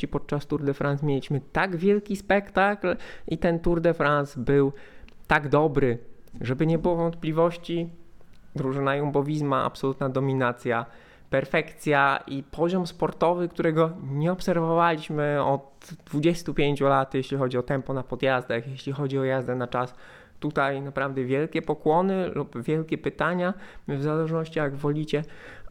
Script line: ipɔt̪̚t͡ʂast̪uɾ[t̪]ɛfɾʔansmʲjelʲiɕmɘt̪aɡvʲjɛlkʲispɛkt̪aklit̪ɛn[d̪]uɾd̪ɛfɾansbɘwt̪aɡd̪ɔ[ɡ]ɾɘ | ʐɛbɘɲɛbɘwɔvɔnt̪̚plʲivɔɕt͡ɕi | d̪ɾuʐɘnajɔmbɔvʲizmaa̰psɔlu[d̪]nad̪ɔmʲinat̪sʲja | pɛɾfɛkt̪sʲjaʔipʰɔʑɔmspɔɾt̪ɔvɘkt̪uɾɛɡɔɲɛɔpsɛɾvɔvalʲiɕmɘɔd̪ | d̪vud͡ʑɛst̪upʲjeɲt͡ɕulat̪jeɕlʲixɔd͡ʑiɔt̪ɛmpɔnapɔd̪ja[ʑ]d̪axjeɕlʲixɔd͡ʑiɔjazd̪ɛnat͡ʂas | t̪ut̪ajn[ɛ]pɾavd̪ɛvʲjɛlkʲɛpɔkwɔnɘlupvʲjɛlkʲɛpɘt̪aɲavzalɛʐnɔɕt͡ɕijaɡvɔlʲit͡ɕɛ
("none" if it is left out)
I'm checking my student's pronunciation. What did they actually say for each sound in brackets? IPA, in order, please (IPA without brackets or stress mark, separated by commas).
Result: d̪, t̪, b, t̪, z, a